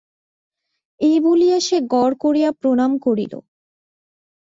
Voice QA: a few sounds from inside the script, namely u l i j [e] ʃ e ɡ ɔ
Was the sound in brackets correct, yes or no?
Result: no